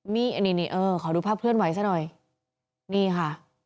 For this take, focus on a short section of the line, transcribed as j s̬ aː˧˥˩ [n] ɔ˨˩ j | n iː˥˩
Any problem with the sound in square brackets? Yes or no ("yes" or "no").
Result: no